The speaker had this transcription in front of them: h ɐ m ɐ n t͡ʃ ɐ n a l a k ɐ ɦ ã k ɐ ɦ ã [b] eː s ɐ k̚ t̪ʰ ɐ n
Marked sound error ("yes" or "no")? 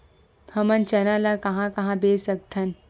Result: no